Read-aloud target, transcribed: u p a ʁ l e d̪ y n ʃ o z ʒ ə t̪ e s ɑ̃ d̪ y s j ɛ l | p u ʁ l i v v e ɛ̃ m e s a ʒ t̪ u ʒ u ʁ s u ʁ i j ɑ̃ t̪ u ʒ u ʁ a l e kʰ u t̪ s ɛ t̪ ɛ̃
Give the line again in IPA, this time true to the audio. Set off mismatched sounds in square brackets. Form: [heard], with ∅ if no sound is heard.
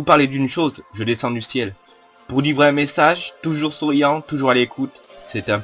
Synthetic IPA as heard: u p a ʁ l e d̪ y n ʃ o z ʒ ə [d̪] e s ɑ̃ d̪ y s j ɛ l | p u ʁ l i v [ʁ] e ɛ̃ m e s a ʒ t̪ u ʒ u ʁ s u ʁ i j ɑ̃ t̪ u ʒ u ʁ a l e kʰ u t̪ s ɛ t̪ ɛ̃

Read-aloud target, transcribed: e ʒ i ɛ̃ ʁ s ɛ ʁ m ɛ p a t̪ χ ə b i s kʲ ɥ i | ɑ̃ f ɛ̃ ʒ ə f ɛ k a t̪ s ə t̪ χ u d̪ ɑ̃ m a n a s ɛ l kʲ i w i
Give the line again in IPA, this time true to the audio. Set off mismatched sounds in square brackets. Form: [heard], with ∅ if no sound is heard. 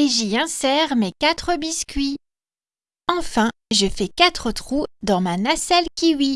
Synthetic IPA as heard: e ʒ i ɛ̃ [∅] s ɛ ʁ m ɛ [k] a t̪ χ ə b i s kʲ ɥ i | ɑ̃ f ɛ̃ ʒ ə f ɛ k a t̪ [χ] ə t̪ χ u d̪ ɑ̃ m a n a s ɛ l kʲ i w i

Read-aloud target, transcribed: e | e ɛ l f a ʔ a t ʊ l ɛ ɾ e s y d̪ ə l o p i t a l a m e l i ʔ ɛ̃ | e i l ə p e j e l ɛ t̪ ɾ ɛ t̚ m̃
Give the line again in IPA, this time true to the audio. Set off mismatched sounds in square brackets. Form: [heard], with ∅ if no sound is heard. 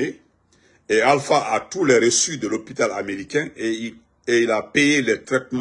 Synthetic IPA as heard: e | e [a] l f a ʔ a t [u] l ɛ ɾ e s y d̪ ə l o p i t a l a m e [ɾ] i [k] ɛ̃ | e i l [a] p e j e l ɛ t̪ ɾ ɛ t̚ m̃

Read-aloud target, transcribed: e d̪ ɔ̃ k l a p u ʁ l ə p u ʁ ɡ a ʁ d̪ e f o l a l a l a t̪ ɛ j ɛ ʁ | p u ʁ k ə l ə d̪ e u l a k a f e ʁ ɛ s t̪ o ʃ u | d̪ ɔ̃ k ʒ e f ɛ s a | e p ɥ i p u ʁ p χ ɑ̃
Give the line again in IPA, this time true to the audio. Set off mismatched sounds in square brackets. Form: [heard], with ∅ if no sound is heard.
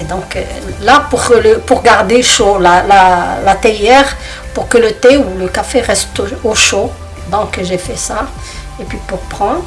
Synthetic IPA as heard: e d̪ ɔ̃ k l a p u ʁ l ə p u ʁ ɡ a ʁ d̪ e [ʃ] o l a l a l a t̪ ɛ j ɛ ʁ | p u ʁ k ə l ə [t̪] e u l [ə] k a f e ʁ ɛ s t̪ o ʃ [o] | d̪ ɔ̃ k ʒ e f ɛ s a | e p ɥ i p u ʁ p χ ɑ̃

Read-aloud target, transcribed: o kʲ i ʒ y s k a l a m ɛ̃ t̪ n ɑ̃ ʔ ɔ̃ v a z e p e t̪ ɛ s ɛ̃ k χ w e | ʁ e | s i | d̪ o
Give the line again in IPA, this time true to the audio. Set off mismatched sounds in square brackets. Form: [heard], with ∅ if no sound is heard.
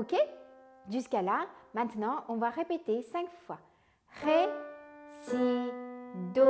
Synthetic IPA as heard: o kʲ [e] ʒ y s k a l a m ɛ̃ t̪ n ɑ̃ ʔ ɔ̃ v a [ʁ] e p e t̪ [e] s ɛ̃ k [f] w [a] | ʁ e | s i | d̪ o

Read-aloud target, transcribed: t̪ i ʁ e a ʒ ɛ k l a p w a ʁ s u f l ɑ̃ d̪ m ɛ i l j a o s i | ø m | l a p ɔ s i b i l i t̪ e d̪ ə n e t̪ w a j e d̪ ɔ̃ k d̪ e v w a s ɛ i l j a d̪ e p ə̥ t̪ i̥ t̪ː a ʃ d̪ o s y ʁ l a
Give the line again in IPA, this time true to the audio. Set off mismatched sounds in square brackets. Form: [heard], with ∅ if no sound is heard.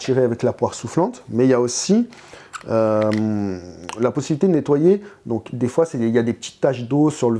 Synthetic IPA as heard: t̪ i ʁ e a [v] ɛ k l a p w a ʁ s u f l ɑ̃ [t̪] m ɛ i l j a o s i | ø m | l a p ɔ s i b i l i t̪ e d̪ ə n e t̪ w a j e d̪ ɔ̃ k d̪ e [f] w a s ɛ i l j a d̪ e p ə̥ t̪ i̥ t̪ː a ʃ d̪ o s y ʁ l [ə]

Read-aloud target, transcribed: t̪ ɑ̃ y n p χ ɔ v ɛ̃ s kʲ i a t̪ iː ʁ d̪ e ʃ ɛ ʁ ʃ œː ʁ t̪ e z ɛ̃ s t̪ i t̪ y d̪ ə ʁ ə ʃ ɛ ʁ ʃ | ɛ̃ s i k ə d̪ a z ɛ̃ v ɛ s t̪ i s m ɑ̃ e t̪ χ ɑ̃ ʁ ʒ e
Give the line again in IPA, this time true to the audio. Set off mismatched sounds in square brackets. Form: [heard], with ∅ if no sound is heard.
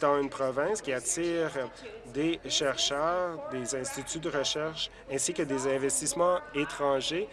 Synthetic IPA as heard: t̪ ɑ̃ y n p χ ɔ v ɛ̃ s kʲ i a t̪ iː ʁ d̪ e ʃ ɛ ʁ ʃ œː ʁ [d̪] e z ɛ̃ s t̪ i t̪ y d̪ ə ʁ ə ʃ ɛ ʁ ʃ | ɛ̃ s i k ə d̪ [e] z ɛ̃ v ɛ s t̪ i s m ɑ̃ e t̪ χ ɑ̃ [∅] ʒ e

